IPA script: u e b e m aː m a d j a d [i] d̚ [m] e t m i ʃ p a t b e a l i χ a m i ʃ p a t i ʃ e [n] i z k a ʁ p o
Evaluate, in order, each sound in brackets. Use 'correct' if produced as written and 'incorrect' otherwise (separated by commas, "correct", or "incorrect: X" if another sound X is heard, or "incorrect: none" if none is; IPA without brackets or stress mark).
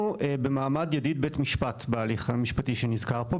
correct, incorrect: b, correct